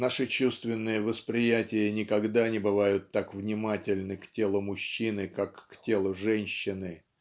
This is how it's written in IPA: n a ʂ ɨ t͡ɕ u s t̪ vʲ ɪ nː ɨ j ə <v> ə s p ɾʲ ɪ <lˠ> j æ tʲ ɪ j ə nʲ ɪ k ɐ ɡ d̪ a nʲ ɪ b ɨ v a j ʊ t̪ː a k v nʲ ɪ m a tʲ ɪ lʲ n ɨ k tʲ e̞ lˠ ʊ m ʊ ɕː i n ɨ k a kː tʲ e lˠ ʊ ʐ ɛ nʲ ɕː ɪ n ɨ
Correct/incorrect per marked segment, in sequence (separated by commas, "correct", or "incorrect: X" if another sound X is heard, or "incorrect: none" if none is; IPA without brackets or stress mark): correct, incorrect: none